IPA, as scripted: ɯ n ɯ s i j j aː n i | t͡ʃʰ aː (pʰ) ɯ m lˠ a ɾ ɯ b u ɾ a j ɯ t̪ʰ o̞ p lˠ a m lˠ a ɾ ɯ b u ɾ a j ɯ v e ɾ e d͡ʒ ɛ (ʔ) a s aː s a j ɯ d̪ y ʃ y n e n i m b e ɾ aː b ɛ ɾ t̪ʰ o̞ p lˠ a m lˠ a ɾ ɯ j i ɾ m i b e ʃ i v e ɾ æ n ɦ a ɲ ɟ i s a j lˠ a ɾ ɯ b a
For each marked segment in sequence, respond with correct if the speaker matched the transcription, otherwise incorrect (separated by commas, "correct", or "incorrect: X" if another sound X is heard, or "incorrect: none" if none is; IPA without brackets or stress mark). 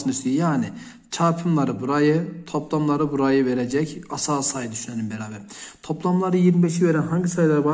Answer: correct, incorrect: c